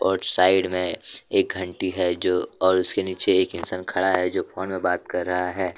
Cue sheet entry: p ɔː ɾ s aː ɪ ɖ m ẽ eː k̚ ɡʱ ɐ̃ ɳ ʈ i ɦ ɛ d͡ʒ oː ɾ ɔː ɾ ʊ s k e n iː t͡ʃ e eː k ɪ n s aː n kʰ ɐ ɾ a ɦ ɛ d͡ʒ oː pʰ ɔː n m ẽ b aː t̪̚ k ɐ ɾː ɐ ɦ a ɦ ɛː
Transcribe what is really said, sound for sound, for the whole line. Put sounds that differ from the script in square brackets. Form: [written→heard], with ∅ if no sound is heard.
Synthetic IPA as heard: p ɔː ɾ s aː ɪ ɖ m ẽ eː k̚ ɡʱ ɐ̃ ɳ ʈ i ɦ ɛ d͡ʒ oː [ɾ→∅] ɔː ɾ ʊ s k e n iː t͡ʃ e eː k ɪ n s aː n kʰ ɐ [ɾ→ɽ] a ɦ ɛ d͡ʒ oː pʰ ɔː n m ẽ b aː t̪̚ k ɐ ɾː ɐ ɦ a ɦ ɛː

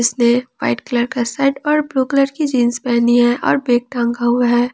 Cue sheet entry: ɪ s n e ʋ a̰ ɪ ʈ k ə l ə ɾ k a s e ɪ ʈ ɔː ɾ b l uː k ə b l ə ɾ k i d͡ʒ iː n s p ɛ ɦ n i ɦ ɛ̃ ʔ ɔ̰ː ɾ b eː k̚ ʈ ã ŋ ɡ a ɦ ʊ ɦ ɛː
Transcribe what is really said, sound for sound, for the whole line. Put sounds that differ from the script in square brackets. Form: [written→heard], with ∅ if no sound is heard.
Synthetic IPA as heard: ɪ s n e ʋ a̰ ɪ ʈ k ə l ə ɾ k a s [e→a] ɪ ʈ ɔː ɾ b l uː k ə [b→∅] l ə ɾ k i d͡ʒ iː n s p ɛ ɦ n i ɦ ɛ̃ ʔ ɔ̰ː ɾ b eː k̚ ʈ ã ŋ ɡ a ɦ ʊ ɦ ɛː

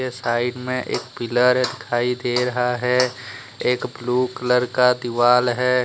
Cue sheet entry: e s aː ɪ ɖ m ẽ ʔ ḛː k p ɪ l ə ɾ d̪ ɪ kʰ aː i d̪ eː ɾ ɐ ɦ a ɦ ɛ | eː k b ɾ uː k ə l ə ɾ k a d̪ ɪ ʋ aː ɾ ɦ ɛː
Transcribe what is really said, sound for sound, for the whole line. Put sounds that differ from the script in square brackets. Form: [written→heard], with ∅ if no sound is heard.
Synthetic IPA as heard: e s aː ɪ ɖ m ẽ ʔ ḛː k p ɪ l ə ɾ d̪ ɪ kʰ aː i d̪ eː ɾ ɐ ɦ a ɦ ɛ | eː k b [ɾ→l] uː k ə l ə ɾ k a d̪ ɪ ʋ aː [ɾ→l] ɦ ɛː

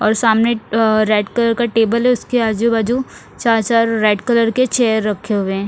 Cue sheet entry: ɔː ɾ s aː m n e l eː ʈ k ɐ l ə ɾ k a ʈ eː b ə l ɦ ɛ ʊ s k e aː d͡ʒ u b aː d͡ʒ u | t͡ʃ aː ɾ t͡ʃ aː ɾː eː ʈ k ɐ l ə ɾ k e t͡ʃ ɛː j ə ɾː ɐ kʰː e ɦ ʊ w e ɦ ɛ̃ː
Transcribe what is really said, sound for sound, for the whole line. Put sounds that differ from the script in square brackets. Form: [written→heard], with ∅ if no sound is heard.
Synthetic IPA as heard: ɔː ɾ s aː m n e [l→ɾ] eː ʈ k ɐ l ə ɾ k a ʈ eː b ə l ɦ ɛ ʊ s k e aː d͡ʒ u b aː d͡ʒ u | t͡ʃ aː ɾ t͡ʃ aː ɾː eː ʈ k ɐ l ə ɾ k e t͡ʃ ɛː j ə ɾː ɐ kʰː e ɦ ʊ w e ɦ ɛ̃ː

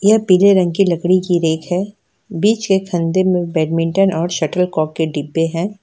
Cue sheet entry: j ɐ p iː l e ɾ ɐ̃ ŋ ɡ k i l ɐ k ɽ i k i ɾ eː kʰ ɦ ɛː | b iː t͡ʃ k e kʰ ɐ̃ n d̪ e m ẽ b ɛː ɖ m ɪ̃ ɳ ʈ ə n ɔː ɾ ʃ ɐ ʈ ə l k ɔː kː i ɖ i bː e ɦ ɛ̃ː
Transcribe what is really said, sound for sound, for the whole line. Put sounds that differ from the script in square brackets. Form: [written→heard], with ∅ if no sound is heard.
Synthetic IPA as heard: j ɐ p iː l e ɾ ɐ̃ ŋ ɡ k i l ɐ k ɽ i k i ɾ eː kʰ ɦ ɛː | b iː t͡ʃ k e kʰ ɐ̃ n d̪ e m ẽ b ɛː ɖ m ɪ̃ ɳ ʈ ə n ɔː ɾ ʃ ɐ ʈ ə l k ɔː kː [i→e] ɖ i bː e ɦ ɛ̃ː

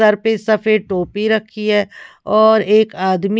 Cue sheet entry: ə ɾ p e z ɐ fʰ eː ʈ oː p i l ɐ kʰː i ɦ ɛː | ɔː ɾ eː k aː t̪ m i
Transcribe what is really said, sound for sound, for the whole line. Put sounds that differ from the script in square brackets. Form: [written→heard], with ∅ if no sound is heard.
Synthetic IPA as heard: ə ɾ p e [z→s] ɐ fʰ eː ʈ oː p i [l→ɾ] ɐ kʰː i ɦ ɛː | ɔː ɾ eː k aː [t̪→d̪] m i

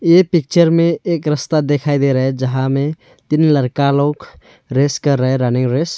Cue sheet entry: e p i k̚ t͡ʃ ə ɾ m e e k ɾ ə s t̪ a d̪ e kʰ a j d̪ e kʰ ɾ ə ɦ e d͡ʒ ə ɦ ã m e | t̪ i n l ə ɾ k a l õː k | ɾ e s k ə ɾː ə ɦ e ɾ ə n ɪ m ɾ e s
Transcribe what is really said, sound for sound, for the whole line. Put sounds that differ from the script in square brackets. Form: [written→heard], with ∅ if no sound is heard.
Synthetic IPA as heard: e p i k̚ t͡ʃ ə ɾ m e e k ɾ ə s t̪ a d̪ e kʰ a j d̪ e [kʰ→∅] ɾ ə ɦ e d͡ʒ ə ɦ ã m e | t̪ i n l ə ɾ k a l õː k | ɾ e s k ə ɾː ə ɦ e ɾ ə n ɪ [m→ŋ] ɾ e s

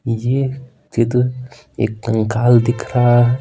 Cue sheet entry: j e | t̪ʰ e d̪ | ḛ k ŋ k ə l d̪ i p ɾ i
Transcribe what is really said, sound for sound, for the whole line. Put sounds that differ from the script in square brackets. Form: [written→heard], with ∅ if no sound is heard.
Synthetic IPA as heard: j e | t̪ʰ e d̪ | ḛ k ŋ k [ə→a] l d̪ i [p→k] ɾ [i→a]

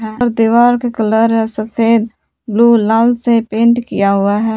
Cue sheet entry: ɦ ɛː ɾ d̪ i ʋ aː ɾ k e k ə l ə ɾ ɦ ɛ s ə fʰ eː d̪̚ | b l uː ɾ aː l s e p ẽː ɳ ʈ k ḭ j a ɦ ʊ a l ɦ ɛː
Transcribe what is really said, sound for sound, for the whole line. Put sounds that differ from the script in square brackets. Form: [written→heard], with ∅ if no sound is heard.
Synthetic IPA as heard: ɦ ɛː ɾ d̪ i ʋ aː ɾ k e k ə l ə ɾ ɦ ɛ s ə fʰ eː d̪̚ | b l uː [ɾ→l] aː l s e p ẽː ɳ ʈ k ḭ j a ɦ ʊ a [l→∅] ɦ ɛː

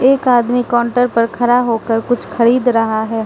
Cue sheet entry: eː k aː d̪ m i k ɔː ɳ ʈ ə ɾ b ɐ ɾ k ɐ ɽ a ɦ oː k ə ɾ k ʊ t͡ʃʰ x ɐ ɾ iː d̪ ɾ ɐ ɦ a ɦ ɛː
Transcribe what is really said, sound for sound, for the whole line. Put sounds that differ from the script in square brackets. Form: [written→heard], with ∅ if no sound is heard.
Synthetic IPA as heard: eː k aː d̪ m i k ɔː ɳ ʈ ə ɾ [b→p] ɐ ɾ [k→kʰ] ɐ [ɽ→ɾ] a ɦ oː k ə ɾ k ʊ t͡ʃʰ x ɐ ɾ iː d̪ ɾ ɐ ɦ a ɦ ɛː

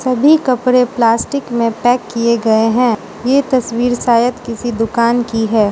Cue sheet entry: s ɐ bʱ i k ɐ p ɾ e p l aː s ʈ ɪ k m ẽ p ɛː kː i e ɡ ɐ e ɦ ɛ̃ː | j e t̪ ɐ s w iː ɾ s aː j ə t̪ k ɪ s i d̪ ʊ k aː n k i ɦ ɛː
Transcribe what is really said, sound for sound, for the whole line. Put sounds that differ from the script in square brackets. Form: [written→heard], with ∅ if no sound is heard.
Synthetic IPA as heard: s ɐ bʱ i k ɐ p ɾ e p l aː s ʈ ɪ k m ẽ p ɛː kː i e ɡ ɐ e ɦ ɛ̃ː | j e t̪ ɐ s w iː ɾ s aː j ə t̪ k ɪ s i d̪ ʊ k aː n k i ɦ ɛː

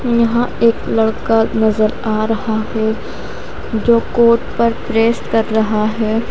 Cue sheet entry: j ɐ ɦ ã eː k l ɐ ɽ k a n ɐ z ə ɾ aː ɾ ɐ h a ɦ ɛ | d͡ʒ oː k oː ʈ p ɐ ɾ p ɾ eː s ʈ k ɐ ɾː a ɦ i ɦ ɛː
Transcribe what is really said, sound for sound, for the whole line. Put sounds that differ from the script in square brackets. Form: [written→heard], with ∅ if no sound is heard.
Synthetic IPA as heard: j ɐ ɦ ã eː k l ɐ ɽ k a n ɐ z ə ɾ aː ɾ ɐ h a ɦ ɛ | d͡ʒ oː k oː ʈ p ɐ ɾ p ɾ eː s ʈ k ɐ ɾː [a→ɐ] ɦ [i→a] ɦ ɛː

